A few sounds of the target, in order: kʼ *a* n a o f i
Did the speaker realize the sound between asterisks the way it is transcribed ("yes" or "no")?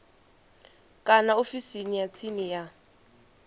yes